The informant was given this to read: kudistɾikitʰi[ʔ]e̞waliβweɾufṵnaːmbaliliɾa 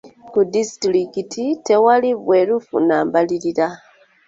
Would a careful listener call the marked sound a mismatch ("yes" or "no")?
yes